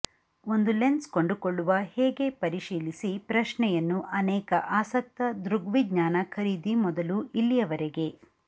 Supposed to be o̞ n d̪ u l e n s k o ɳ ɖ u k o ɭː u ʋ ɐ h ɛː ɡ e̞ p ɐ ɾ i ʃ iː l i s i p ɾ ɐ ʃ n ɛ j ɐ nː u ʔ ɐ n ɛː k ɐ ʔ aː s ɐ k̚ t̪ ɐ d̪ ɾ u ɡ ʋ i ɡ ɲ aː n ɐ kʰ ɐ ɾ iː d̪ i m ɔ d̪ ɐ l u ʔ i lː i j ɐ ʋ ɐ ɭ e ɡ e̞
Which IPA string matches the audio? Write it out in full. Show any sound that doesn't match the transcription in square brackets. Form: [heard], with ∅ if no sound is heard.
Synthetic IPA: o̞ n d̪ u l e n s k o ɳ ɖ u k o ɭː u ʋ ɐ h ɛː ɡ e̞ p ɐ ɾ i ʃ iː l i s i p ɾ ɐ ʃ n ɛ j ɐ nː u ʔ ɐ n ɛː k ɐ ʔ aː s ɐ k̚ t̪ ɐ d̪ ɾ u ɡ ʋ i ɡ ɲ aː n ɐ kʰ ɐ ɾ iː d̪ i m ɔ d̪ ɐ l u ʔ i lː i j ɐ ʋ ɐ [ɾ] e ɡ e̞